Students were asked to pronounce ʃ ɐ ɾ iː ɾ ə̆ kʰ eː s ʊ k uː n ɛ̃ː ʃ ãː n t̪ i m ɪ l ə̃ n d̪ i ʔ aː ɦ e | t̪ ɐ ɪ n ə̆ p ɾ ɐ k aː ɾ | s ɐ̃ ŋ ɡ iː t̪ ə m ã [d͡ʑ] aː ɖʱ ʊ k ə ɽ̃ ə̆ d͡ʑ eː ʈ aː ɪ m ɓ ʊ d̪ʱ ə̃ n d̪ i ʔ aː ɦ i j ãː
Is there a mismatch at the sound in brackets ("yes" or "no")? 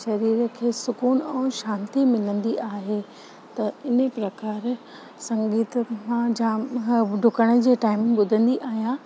no